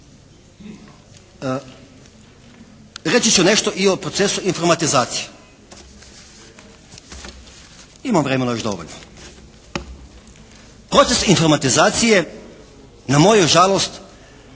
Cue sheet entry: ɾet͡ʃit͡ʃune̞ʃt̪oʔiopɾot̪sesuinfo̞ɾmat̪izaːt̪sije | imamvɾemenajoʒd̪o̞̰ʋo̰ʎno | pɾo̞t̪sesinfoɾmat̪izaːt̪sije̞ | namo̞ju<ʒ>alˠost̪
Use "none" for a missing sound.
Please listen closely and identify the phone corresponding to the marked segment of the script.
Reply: ʒ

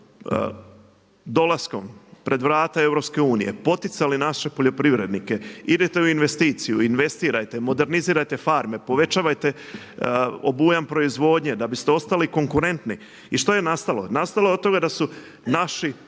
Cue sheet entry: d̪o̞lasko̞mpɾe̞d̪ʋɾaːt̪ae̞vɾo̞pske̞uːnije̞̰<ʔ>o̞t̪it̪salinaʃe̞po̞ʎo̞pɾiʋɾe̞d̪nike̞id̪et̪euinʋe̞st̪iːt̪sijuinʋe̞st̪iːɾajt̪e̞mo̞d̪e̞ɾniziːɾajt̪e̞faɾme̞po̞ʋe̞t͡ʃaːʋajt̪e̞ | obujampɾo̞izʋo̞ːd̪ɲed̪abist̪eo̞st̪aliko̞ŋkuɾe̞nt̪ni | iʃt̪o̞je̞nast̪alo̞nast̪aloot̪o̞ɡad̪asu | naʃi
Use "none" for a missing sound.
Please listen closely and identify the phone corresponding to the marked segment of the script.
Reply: p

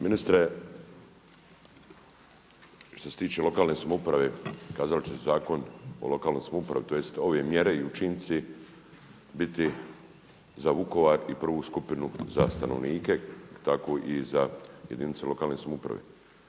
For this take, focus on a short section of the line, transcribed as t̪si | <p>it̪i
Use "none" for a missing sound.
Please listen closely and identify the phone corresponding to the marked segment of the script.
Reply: b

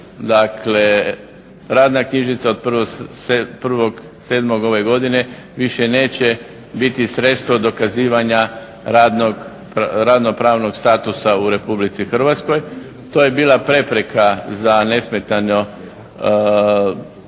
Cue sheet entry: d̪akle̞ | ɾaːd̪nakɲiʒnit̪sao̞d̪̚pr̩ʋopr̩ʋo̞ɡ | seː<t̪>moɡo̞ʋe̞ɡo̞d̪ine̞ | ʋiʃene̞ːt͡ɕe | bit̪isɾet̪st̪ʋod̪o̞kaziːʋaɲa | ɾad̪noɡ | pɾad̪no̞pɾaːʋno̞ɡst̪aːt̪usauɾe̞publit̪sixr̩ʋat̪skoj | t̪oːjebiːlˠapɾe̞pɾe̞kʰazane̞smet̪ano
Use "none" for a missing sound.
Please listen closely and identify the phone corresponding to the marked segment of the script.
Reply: d̪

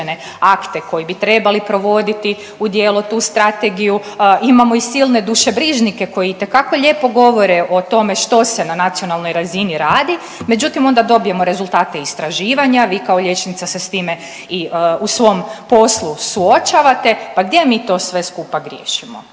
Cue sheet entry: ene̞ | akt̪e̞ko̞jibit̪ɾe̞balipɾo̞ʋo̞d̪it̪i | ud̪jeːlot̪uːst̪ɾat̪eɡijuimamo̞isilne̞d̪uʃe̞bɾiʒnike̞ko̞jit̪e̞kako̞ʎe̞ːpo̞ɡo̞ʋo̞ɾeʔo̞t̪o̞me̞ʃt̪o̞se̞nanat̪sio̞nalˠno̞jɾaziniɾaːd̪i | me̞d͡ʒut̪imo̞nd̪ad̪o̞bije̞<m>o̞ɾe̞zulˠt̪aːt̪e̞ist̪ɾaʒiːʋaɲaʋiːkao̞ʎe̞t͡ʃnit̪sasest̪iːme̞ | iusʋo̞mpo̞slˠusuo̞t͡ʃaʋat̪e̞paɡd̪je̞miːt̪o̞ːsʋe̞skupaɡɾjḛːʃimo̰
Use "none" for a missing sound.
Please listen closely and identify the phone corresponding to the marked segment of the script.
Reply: m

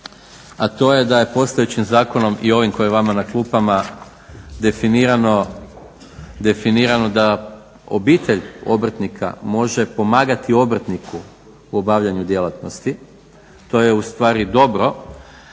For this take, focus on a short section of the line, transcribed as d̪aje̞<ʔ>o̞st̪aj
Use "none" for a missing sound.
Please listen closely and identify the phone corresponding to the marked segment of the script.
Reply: p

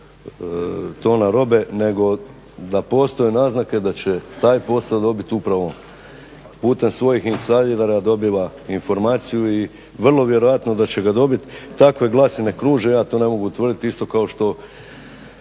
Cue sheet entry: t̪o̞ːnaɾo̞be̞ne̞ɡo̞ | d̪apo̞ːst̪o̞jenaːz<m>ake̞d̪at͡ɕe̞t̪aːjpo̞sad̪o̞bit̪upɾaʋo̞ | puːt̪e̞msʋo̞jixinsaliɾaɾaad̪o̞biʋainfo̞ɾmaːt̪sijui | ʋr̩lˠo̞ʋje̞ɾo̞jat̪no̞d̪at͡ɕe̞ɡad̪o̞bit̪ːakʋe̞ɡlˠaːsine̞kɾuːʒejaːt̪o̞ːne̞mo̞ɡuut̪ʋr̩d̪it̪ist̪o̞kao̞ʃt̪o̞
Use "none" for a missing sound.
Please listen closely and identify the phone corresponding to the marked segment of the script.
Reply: n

